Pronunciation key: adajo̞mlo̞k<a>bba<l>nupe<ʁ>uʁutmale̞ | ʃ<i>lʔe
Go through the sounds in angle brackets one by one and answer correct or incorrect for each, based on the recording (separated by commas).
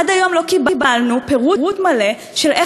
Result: incorrect, correct, correct, incorrect